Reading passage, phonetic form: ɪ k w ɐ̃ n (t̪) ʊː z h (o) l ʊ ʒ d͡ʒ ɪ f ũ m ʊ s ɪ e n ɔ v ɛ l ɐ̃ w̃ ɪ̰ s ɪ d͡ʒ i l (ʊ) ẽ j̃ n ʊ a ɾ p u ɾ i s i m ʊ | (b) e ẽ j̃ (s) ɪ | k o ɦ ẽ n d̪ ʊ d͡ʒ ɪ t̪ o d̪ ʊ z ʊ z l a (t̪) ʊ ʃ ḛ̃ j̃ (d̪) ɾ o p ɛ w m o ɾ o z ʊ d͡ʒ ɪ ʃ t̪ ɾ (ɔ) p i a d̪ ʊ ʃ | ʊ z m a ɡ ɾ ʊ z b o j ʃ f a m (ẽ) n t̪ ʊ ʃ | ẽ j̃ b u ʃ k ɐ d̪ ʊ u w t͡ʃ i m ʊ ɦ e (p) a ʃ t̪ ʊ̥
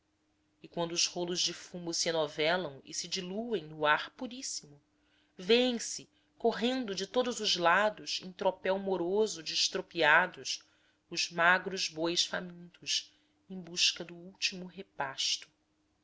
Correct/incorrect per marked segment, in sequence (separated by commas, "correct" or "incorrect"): incorrect, correct, incorrect, incorrect, correct, incorrect, incorrect, incorrect, incorrect, correct